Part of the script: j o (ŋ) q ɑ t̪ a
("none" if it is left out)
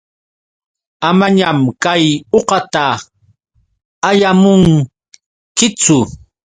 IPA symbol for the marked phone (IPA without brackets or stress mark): none